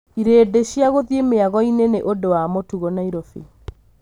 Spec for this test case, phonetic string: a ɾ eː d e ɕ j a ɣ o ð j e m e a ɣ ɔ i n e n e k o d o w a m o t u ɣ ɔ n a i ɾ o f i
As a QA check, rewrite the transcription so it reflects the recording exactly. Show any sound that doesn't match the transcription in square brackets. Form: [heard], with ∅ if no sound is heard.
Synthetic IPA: [i] ɾ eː d e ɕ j a ɣ o ð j e m e a ɣ ɔ i n e n e [ʔ] o d o w a m o t u ɣ ɔ n a i ɾ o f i